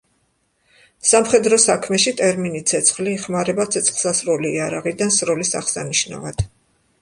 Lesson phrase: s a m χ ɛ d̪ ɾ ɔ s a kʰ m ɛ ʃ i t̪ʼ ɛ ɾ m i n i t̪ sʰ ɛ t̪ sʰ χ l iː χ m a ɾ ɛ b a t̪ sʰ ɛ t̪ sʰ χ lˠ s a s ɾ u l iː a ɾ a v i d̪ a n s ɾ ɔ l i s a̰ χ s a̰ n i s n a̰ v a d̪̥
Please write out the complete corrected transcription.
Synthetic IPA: s a m χ ɛ d̪ ɾ ɔ s a kʰ m ɛ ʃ i t̪ʼ ɛ ɾ m i n i t̪ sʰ ɛ t̪ sʰ χ l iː χ m a ɾ ɛ b a t̪ sʰ ɛ t̪ sʰ χ lˠ s a s ɾ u l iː a ɾ a ʁ i d̪ a n s ɾ ɔ l i s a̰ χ s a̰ n i ʃ n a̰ v a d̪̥